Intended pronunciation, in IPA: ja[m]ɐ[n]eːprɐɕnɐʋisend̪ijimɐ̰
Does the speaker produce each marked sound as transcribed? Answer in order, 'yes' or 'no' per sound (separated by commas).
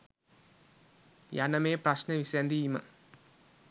no, no